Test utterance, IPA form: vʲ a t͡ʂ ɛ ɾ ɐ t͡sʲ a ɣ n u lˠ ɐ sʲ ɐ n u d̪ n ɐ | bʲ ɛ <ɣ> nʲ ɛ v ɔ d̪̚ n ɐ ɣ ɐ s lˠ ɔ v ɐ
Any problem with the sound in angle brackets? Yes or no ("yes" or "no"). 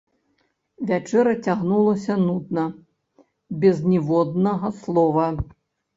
yes